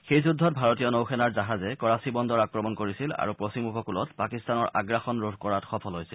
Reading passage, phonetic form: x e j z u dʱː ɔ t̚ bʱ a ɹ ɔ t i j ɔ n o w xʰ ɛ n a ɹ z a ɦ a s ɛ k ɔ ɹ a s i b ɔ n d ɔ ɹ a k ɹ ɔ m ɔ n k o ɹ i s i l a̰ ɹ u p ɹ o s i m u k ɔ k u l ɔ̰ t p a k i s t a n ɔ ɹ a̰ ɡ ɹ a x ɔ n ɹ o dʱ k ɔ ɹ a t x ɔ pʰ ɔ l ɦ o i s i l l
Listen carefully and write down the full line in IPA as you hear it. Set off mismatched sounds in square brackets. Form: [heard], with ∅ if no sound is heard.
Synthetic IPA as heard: x e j z u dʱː ɔ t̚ bʱ a ɹ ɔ t i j ɔ n o w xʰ ɛ n a ɹ z a ɦ a [z] ɛ k ɔ ɹ a s i b ɔ n d ɔ ɹ a k ɹ ɔ m ɔ n k o ɹ i s i l a̰ ɹ u p ɹ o s i m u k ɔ k u l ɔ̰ t p a k i s t a n ɔ ɹ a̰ ɡ ɹ a x ɔ n ɹ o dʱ k ɔ ɹ a t x ɔ pʰ ɔ l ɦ o [j] s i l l